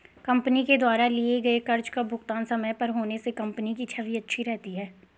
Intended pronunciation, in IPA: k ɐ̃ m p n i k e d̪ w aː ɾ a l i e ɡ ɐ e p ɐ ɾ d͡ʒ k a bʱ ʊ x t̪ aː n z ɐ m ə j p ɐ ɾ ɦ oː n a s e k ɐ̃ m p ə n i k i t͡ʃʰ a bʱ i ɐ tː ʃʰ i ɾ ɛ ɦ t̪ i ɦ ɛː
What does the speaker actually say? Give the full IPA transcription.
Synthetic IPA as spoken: k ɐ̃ m p n i k e d̪ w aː ɾ a l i e ɡ ɐ e k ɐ ɾ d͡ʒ k a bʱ ʊ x t̪ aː n s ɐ m ə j p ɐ ɾ ɦ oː n e s e k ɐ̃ m p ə n i k i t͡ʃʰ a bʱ i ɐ tː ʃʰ i ɾ ɛ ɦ t̪ i ɦ ɛː